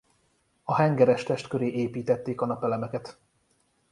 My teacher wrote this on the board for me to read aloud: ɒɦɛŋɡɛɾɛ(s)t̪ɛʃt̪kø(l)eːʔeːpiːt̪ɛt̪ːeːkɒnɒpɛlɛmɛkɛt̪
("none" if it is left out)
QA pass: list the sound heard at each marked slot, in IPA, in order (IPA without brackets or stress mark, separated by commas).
ʃ, ɾ